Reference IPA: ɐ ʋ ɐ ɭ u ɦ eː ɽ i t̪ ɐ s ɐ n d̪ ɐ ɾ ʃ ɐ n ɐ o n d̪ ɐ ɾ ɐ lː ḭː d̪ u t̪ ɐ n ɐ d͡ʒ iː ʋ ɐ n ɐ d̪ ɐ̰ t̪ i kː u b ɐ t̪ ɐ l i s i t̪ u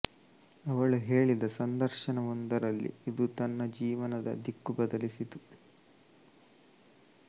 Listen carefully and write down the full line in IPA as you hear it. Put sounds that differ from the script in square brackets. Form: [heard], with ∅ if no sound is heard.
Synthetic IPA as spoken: ɐ ʋ ɐ ɭ u ɦ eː [ɭ] i [d̪] ɐ s ɐ n d̪ ɐ ɾ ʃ ɐ n ɐ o n d̪ ɐ ɾ ɐ lː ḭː d̪ u t̪ ɐ [nː] ɐ d͡ʒ iː ʋ ɐ n ɐ d̪ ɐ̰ [d̪] i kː u b ɐ [d̪] ɐ l i s i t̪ u

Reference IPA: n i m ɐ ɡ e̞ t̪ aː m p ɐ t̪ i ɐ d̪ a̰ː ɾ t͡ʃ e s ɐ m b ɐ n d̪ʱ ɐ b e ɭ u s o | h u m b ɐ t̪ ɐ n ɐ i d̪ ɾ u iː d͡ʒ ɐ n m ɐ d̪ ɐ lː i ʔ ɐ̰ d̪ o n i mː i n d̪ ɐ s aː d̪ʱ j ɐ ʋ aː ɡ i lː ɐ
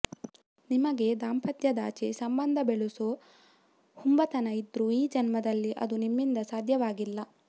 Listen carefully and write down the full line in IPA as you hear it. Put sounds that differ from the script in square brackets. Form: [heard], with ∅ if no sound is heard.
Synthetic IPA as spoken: n i m ɐ ɡ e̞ [d̪] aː m p ɐ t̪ [j] ɐ d̪ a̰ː [∅] t͡ʃ e s ɐ m b ɐ n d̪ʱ ɐ b e ɭ u s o | h u m b ɐ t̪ ɐ n ɐ i d̪ ɾ u iː d͡ʒ ɐ n m ɐ d̪ ɐ lː i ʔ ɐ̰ d̪ [u] n i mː i n d̪ ɐ s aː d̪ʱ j ɐ ʋ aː ɡ i lː ɐ

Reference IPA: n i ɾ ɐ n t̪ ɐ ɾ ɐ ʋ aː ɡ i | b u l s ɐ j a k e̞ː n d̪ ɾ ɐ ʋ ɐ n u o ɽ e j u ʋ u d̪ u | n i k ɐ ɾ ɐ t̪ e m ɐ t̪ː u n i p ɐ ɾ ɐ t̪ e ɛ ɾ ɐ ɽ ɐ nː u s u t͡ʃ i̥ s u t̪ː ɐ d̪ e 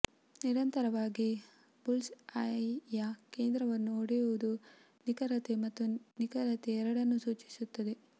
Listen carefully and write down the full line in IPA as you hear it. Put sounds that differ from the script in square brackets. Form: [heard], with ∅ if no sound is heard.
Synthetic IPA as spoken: n i ɾ ɐ n t̪ ɐ ɾ ɐ ʋ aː ɡ i | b u l s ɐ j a k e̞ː n d̪ ɾ ɐ ʋ ɐ [nː] u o ɽ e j u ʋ u d̪ u | n i k ɐ ɾ ɐ t̪ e m ɐ t̪ː u n i [k] ɐ ɾ ɐ t̪ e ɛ ɾ ɐ ɽ ɐ nː u s [uː] t͡ʃ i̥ s u t̪ː ɐ d̪ e

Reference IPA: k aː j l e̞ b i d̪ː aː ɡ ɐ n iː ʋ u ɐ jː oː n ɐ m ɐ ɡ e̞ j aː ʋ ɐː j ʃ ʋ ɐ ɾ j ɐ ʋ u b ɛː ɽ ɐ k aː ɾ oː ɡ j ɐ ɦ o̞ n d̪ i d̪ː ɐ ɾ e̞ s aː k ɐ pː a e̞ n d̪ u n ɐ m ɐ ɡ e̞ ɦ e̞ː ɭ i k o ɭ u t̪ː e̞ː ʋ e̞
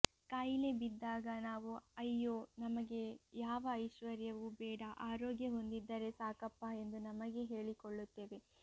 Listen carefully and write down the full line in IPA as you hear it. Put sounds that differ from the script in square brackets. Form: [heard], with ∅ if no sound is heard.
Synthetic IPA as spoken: k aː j l e̞ b i d̪ː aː ɡ ɐ n [aː] ʋ u ɐ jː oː n ɐ m ɐ ɡ e̞ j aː ʋ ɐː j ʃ ʋ ɐ ɾ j ɐ ʋ u b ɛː ɽ ɐ [ʔ] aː ɾ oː ɡ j ɐ ɦ o̞ n d̪ i d̪ː ɐ ɾ e̞ s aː k ɐ pː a e̞ n d̪ u n ɐ m ɐ ɡ e̞ ɦ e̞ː ɭ i k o [ɭː] u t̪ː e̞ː ʋ e̞

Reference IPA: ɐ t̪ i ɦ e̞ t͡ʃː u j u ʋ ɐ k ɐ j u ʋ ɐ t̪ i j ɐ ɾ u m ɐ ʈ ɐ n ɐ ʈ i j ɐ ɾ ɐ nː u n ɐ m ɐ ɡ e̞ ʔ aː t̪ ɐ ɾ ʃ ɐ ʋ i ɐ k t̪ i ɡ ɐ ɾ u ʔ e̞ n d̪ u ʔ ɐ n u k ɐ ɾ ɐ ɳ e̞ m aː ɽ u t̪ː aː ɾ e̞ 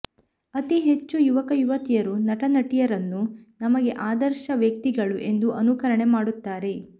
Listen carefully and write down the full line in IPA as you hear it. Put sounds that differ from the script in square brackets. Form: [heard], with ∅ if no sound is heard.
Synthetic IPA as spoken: ɐ t̪ i ɦ e̞ t͡ʃː u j u ʋ ɐ k ɐ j u ʋ ɐ t̪ i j ɐ ɾ u [n] ɐ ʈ ɐ n ɐ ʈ i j ɐ ɾ ɐ nː u n ɐ m ɐ ɡ e̞ ʔ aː [d̪] ɐ ɾ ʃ ɐ ʋ [j] ɐ k t̪ i ɡ ɐ [ɭ] u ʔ e̞ n d̪ u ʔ ɐ n u k ɐ ɾ ɐ ɳ e̞ m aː ɽ u t̪ː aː ɾ e̞

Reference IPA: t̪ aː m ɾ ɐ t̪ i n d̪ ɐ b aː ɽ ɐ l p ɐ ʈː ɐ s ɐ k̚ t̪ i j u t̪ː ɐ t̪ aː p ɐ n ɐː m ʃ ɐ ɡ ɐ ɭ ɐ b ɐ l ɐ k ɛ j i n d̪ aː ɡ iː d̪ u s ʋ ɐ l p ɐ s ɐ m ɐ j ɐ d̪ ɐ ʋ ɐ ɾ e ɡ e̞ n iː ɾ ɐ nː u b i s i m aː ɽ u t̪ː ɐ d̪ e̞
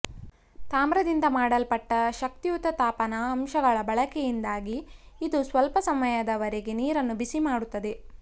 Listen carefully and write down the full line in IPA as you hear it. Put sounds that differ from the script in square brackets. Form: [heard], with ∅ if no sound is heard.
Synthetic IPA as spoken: t̪ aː m ɾ ɐ [d̪] i n d̪ ɐ [m] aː ɽ ɐ l p ɐ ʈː ɐ [ʃ] ɐ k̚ t̪ i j u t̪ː ɐ t̪ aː p ɐ n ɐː m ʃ ɐ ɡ ɐ ɭ ɐ b ɐ [ɭ] ɐ k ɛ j i n d̪ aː ɡ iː d̪ u s ʋ ɐ l p ɐ s ɐ m ɐ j ɐ d̪ ɐ ʋ ɐ ɾ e ɡ e̞ n iː ɾ ɐ nː u b i s i m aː ɽ u t̪ː ɐ d̪ e̞

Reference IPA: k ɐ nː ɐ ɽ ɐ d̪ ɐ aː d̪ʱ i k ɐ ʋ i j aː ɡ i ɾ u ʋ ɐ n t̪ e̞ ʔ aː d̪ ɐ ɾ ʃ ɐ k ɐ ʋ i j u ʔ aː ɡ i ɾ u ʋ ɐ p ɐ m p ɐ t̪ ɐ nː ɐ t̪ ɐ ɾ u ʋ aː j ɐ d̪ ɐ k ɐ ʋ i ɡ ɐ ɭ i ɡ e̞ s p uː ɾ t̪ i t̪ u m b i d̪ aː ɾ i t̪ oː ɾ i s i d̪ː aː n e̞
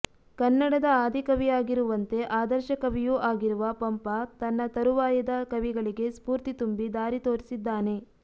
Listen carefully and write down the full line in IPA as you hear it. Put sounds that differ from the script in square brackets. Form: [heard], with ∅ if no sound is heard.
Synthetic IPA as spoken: k ɐ nː ɐ ɽ ɐ d̪ ɐ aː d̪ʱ i k ɐ ʋ i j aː ɡ i ɾ u ʋ ɐ n t̪ e̞ ʔ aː d̪ ɐ ɾ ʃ ɐ k ɐ ʋ i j u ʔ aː ɡ i ɾ u ʋ ɐ p ɐ m p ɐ t̪ ɐ nː ɐ t̪ ɐ ɾ u ʋ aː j ɐ d̪ ɐ k ɐ ʋ i ɡ ɐ ɭ i ɡ e̞ s p uː ɾ t̪ i t̪ u m b i d̪ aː ɾ i t̪ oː ɾ i s i d̪ː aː n e̞

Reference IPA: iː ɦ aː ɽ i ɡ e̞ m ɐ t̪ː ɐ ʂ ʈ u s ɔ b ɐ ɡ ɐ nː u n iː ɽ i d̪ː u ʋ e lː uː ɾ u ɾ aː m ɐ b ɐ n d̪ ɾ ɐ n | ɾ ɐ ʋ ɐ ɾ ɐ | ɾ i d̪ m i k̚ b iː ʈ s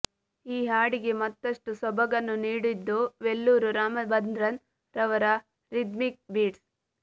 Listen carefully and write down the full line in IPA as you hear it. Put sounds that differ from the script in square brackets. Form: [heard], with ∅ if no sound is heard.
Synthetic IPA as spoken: iː ɦ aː ɽ i ɡ e̞ m ɐ t̪ː ɐ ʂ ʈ u s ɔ b ɐ ɡ ɐ nː u n iː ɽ i d̪ː u ʋ e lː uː ɾ u ɾ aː m ɐ b ɐ n d̪ ɾ ɐ n | ɾ ɐ ʋ ɐ ɾ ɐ | ɾ i d̪ m i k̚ b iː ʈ s

